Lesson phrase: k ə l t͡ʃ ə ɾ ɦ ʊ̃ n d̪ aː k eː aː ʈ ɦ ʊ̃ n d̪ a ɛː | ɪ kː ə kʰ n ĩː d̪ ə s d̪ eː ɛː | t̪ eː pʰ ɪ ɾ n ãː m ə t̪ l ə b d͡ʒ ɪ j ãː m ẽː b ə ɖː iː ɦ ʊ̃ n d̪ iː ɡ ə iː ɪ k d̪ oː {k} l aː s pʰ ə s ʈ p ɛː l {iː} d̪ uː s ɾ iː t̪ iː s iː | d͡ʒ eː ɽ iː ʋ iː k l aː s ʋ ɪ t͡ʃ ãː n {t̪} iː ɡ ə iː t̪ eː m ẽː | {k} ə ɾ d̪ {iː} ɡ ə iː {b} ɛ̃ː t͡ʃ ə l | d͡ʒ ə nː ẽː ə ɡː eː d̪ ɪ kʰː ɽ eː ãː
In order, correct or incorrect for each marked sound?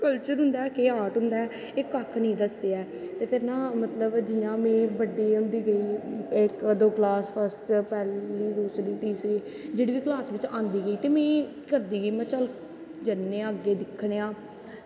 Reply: correct, correct, incorrect: d̪, correct, correct, incorrect: m

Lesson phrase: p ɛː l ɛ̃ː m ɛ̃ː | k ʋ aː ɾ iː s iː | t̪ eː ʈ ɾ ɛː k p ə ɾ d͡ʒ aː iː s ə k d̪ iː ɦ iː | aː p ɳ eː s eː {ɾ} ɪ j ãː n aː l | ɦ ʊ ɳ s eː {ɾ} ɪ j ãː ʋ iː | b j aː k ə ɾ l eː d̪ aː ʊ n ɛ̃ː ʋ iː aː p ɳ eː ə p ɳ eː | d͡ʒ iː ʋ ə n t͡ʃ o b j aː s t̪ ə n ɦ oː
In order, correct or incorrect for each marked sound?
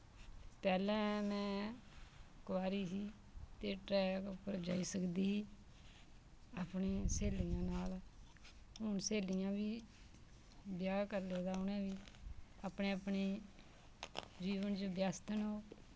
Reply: incorrect: l, incorrect: l

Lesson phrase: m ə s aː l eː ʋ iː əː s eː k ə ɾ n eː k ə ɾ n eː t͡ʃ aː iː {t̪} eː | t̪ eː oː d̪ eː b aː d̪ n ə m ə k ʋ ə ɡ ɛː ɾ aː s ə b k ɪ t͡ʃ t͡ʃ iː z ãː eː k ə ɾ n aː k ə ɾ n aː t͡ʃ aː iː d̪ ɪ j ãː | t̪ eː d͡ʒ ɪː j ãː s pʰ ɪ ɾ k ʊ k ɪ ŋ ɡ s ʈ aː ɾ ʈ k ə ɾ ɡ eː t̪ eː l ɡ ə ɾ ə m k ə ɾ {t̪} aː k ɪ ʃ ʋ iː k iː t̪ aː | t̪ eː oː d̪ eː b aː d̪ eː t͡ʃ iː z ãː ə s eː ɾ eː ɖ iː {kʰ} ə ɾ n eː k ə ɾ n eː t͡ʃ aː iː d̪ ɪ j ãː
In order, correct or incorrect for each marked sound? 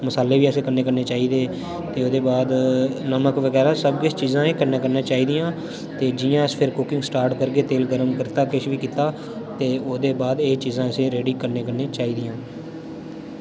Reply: incorrect: d̪, correct, incorrect: k

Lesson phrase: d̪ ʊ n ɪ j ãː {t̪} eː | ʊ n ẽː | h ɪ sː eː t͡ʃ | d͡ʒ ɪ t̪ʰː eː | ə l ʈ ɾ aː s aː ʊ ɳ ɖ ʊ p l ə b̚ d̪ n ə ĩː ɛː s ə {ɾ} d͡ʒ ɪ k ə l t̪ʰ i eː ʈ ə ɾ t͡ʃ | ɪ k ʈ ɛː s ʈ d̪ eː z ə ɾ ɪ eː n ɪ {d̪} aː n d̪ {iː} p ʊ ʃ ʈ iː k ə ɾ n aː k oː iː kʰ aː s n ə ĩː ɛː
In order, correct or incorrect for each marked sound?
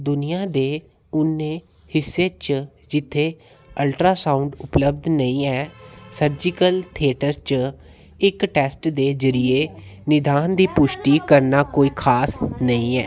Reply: incorrect: d̪, correct, correct, correct

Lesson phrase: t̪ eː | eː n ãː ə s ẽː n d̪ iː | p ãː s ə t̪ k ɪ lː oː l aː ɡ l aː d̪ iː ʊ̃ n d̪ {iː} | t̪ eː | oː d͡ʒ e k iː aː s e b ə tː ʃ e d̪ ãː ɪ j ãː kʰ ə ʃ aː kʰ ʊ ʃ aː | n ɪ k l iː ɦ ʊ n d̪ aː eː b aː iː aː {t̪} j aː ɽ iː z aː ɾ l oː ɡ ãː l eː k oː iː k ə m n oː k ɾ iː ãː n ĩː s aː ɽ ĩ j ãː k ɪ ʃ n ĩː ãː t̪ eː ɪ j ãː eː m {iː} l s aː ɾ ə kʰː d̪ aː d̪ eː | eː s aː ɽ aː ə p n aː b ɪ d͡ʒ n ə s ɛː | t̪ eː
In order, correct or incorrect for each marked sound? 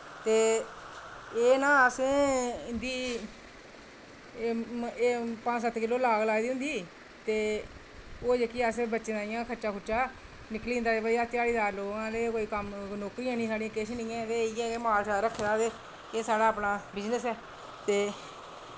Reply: correct, correct, incorrect: aː

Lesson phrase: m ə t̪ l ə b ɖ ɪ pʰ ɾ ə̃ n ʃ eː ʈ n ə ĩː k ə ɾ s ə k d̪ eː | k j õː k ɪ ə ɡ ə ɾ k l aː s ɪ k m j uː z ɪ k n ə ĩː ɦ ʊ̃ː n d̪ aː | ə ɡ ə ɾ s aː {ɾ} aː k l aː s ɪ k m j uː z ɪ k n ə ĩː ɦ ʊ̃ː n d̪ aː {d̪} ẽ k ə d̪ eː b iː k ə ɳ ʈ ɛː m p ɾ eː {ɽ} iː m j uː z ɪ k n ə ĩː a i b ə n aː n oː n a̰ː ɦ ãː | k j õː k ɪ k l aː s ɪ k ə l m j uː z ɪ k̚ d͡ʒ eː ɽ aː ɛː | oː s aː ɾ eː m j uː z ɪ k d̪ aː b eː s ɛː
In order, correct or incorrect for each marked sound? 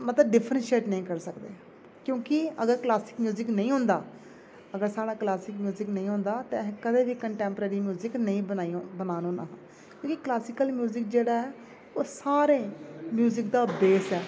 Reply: incorrect: ɽ, incorrect: t̪, incorrect: ɾ

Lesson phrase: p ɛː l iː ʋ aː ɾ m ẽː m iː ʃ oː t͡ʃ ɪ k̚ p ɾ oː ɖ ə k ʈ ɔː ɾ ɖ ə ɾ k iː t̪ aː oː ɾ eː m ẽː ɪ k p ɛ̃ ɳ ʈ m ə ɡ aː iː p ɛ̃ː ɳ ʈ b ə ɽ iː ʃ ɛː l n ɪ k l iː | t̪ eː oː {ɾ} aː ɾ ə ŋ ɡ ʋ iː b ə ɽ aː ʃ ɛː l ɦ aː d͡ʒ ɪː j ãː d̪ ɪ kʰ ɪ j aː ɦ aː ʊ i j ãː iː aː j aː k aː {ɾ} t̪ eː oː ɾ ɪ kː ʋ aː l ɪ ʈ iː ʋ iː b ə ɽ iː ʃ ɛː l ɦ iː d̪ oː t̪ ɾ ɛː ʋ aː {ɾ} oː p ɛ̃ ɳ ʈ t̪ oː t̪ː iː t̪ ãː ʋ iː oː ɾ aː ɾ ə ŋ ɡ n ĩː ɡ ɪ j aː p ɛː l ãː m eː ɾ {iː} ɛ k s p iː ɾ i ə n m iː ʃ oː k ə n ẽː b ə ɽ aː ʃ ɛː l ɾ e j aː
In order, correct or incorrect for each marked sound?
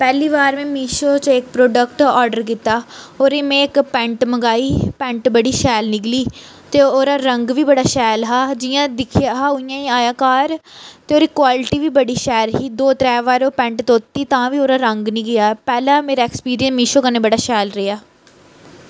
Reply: correct, correct, correct, incorrect: aː

